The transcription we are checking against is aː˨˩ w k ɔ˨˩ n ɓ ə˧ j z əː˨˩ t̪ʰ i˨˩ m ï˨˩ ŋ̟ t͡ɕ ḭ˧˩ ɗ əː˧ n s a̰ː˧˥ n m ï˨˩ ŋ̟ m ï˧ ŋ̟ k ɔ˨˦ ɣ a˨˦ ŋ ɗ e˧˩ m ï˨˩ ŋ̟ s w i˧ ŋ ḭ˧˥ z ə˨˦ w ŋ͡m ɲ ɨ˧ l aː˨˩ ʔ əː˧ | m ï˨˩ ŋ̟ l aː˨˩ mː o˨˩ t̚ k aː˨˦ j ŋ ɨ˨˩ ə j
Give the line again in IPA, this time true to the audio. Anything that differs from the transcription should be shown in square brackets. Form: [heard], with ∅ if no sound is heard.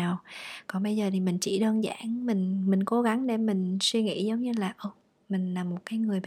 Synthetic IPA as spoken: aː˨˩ w k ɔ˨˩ n ɓ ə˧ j z əː˨˩ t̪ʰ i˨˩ m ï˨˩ ŋ̟ t͡ɕ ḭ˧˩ ɗ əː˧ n [z] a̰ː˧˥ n m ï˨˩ ŋ̟ m [ï˨˩] ŋ̟ k [o˨˦] ɣ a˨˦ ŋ ɗ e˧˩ m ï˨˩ ŋ̟ s w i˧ ŋ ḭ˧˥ z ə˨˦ w ŋ͡m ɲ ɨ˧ l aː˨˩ ʔ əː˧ | m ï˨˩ ŋ̟ l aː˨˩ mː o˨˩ t̚ k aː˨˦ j ŋ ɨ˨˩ ə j